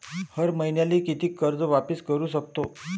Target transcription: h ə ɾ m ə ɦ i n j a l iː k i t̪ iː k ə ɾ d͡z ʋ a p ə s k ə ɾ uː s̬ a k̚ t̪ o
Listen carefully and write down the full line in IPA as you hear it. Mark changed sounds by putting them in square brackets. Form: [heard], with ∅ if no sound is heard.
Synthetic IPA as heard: h ə ɾ m ə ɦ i n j a l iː k i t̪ iː k ə ɾ d͡z ʋ a p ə s k ə ɾ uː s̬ [ə] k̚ t̪ o